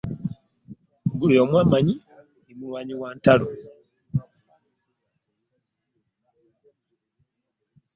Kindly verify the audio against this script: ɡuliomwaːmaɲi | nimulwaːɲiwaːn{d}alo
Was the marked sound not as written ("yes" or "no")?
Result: yes